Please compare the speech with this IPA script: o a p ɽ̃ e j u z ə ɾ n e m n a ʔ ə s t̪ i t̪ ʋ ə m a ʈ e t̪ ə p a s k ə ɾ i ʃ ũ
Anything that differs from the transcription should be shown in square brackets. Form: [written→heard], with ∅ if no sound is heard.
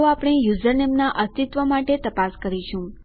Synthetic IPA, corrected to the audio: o a p ɽ̃ e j u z ə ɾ n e m n a ʔ ə s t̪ i t̪ ʋ ə m a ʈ e t̪ ə p a s k ə ɾ i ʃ ũ